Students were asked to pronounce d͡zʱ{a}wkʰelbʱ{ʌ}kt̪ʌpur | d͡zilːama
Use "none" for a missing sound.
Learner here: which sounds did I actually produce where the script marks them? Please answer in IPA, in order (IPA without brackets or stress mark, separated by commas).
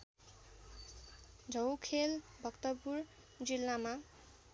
ʌ, ʌ